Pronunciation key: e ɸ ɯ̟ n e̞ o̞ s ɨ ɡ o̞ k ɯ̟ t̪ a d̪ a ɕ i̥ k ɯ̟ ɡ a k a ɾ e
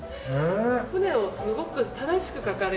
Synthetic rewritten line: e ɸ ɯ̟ n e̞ o̞ s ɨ ɡ o̞ k ɯ̟ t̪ a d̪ a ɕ i̥ k ɯ̟ k a k a ɾ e